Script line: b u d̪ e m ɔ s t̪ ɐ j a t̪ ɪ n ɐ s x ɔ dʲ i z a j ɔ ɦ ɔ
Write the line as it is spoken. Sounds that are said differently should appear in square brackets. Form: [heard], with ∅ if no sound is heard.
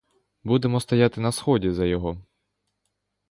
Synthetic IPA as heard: b u d̪ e m ɔ s t̪ ɐ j a t̪ ɪ n ɐ s x ɔ dʲ i z [ɐ] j ɔ ɦ ɔ